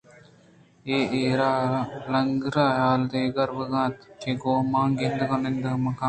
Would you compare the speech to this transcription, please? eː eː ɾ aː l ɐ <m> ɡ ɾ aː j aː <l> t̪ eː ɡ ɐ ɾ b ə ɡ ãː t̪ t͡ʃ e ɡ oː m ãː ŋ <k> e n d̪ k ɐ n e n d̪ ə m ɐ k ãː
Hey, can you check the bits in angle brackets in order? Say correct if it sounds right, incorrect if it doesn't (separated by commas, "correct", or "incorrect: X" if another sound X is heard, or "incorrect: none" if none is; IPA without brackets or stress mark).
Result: incorrect: ŋ, correct, incorrect: ɡ